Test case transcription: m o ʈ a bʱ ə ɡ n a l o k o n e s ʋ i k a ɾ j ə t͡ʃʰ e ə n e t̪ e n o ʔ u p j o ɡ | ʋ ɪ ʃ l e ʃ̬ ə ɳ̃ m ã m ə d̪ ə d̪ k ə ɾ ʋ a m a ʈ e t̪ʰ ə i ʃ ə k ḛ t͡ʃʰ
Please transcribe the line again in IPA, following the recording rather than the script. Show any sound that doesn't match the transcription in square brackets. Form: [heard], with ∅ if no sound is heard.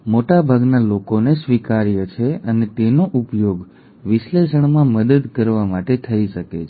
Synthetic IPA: m o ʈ a bʱ [a] ɡ n a l o k o n e s ʋ i k a ɾ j ə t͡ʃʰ e ə n e t̪ e n o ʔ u p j o ɡ | ʋ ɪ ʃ l e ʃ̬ ə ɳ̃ m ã m ə d̪ ə d̪ k ə ɾ ʋ a m a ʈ e t̪ʰ ə i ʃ ə k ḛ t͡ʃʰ